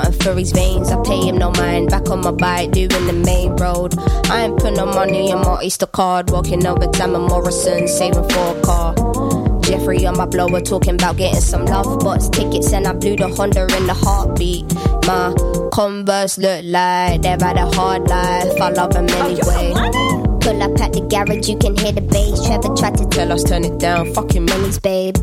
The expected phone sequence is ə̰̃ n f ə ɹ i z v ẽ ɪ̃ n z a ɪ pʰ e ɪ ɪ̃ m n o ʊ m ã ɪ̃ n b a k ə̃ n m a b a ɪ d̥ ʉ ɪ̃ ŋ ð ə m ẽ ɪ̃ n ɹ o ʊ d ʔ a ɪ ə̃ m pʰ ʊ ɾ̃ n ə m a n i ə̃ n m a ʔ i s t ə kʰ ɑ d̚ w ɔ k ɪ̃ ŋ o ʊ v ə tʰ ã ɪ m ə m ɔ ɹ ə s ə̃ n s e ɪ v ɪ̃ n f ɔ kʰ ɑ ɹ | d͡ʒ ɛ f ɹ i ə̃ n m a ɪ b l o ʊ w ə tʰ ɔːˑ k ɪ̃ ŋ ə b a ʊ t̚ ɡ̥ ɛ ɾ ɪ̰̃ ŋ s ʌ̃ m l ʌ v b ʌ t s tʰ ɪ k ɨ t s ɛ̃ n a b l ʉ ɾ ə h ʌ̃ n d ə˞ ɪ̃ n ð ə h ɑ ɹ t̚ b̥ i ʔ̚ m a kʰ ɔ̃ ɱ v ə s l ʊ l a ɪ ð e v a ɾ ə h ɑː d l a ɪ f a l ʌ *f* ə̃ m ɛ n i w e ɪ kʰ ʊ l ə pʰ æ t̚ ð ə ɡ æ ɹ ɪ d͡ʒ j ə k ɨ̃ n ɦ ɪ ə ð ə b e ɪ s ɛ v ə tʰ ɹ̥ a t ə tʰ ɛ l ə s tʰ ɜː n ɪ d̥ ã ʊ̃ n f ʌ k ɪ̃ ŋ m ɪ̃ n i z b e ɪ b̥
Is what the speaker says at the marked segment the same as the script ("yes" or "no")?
no